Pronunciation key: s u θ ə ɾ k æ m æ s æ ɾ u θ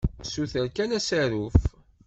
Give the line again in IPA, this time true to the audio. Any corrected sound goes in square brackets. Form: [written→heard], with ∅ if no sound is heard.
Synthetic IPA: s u θ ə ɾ k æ [m→n] æ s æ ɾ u [θ→f]